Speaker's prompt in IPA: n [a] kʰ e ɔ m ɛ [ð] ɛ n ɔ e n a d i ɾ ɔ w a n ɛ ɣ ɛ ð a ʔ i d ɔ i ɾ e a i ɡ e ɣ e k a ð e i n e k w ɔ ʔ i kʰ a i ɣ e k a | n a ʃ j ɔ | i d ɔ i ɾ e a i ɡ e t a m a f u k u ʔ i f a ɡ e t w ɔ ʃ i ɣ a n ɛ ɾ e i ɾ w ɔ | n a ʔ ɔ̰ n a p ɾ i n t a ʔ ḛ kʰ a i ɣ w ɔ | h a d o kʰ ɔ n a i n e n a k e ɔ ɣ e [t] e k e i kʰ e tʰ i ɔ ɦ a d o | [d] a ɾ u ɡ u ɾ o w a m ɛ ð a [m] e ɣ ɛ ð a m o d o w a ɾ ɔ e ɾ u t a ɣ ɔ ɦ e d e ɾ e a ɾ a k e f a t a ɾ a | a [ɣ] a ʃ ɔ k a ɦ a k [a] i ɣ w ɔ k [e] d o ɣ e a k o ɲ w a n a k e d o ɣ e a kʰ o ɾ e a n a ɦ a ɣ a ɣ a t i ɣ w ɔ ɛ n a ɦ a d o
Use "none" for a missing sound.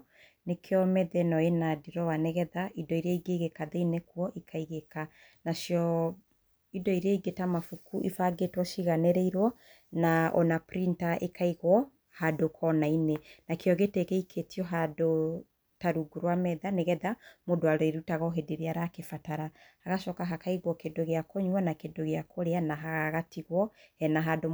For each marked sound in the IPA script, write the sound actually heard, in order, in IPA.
e, ð, t, t, n, ɣ, a, e

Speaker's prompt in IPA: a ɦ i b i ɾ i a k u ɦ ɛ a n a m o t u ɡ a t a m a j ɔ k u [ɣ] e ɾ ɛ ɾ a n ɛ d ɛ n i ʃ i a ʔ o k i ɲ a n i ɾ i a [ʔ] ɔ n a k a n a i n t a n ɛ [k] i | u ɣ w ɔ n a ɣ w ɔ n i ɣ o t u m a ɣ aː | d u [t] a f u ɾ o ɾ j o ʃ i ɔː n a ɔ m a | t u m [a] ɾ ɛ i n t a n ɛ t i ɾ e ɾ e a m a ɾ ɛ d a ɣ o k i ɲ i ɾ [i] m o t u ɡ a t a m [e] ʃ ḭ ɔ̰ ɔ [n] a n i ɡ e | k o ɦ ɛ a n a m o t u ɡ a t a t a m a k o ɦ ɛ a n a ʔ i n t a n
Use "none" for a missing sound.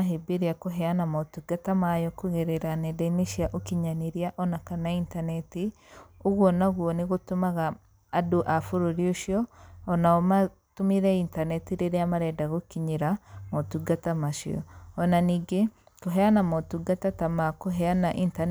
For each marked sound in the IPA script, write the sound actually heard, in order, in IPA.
ɣ, ʔ, t, ʔ, i, a, a, n

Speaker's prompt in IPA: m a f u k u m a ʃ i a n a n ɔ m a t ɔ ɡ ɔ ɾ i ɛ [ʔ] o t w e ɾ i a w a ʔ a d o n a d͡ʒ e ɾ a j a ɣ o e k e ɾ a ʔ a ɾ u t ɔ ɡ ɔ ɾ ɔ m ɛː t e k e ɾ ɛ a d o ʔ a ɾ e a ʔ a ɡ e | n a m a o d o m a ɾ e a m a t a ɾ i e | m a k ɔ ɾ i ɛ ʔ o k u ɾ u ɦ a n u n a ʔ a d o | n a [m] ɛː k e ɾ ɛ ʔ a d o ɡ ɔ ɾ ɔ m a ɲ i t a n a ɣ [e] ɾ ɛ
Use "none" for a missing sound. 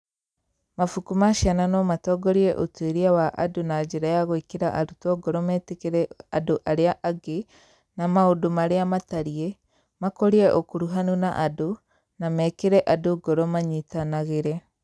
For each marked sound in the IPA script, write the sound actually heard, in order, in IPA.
ʔ, m, e

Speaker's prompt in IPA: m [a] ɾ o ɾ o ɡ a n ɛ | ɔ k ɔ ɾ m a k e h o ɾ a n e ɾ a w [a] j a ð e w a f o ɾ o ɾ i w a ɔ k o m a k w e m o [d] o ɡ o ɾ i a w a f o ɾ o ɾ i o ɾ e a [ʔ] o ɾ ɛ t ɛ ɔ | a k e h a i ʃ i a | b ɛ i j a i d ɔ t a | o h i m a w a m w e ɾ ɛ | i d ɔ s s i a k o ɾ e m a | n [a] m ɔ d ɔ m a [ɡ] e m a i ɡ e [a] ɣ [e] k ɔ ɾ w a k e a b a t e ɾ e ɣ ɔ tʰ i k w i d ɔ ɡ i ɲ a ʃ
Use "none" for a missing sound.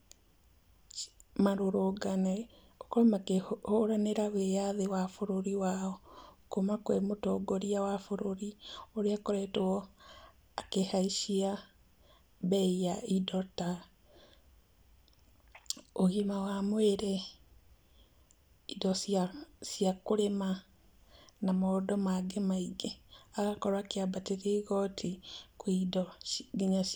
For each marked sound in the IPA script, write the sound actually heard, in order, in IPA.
a, e, t, k, a, ɡ, a, a

